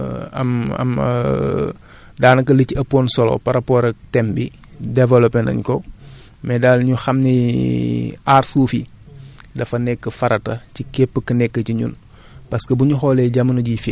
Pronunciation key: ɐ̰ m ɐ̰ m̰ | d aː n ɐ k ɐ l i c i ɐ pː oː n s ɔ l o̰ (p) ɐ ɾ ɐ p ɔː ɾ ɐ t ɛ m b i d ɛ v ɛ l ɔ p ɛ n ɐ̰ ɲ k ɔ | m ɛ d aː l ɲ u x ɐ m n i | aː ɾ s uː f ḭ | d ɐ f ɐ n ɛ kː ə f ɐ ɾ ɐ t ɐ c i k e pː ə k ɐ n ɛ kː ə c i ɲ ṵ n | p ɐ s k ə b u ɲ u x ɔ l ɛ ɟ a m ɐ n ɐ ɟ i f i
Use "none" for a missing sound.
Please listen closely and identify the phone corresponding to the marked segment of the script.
p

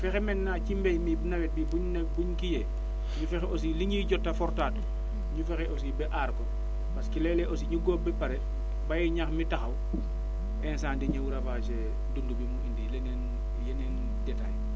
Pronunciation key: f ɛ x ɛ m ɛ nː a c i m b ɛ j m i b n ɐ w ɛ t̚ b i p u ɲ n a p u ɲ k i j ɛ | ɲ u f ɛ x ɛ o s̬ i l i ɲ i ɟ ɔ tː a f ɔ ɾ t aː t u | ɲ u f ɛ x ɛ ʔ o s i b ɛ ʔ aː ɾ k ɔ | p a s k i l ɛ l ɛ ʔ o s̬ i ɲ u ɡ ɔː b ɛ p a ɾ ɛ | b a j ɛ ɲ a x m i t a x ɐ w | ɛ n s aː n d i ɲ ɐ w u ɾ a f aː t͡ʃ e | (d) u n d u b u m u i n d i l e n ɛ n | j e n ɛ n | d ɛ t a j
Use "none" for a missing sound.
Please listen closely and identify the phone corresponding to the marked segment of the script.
d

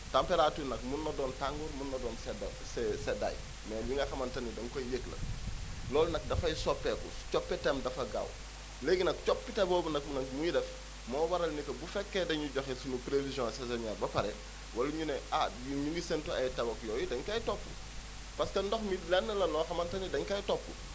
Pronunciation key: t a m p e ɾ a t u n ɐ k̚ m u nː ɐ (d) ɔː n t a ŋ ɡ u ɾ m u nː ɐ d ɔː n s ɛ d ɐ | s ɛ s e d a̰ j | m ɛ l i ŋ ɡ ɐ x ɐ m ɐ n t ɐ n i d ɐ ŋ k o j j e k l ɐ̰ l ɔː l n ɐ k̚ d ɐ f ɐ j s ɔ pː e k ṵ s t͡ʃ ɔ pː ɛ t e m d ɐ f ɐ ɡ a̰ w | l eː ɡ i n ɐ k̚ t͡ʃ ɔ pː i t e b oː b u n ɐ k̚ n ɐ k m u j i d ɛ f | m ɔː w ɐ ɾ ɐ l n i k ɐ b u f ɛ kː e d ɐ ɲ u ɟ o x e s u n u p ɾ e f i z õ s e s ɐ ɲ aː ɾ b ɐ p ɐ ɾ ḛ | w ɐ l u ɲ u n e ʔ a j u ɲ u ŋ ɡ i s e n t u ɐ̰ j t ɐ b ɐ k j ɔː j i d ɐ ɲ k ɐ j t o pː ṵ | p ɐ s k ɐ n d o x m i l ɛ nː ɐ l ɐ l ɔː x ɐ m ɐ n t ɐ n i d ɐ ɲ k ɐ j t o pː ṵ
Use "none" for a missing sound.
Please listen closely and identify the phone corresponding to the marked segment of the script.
d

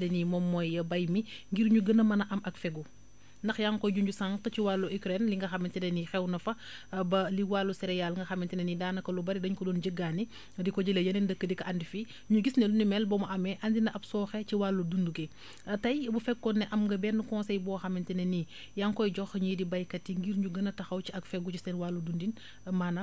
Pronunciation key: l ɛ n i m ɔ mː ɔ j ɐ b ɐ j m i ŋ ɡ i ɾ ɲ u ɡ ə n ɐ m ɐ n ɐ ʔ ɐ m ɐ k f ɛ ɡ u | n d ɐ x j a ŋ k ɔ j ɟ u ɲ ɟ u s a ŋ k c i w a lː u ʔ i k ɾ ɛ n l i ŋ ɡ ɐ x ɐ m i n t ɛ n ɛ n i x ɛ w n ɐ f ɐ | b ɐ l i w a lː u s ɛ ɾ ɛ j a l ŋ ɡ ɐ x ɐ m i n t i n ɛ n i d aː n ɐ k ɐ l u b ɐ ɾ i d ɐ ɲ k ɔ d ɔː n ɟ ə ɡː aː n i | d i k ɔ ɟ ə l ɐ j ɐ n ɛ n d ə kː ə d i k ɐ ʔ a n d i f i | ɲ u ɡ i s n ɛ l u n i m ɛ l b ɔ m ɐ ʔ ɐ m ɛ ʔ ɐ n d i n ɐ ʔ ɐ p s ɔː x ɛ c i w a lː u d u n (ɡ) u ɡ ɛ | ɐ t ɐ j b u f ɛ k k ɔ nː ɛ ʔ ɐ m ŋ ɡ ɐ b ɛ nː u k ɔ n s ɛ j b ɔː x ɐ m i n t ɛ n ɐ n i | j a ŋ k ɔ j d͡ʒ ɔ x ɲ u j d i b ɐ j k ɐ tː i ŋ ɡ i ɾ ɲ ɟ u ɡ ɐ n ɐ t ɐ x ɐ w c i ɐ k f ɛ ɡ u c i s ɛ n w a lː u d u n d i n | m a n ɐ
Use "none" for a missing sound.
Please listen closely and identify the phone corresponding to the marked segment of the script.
d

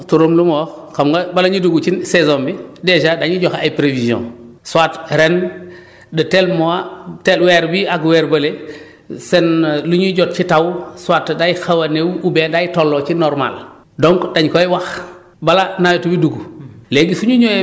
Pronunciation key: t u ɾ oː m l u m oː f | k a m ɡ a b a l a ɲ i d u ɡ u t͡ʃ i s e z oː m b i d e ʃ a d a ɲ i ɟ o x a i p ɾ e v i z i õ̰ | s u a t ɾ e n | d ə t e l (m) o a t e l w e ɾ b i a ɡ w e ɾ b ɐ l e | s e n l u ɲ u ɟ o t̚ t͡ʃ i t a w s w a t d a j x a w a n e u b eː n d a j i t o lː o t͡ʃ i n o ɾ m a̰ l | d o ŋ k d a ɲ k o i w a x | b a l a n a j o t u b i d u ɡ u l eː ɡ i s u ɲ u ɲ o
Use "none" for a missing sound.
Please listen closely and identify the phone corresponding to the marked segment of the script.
m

